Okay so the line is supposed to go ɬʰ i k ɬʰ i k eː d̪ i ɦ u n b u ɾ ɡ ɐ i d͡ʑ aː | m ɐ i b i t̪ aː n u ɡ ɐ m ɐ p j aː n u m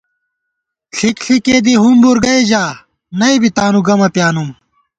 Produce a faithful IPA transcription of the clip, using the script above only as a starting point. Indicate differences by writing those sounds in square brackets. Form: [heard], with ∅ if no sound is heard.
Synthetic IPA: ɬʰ i k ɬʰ i k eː d̪ i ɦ u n b u ɾ ɡ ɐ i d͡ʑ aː | [n] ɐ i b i t̪ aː n u ɡ ɐ m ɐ p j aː n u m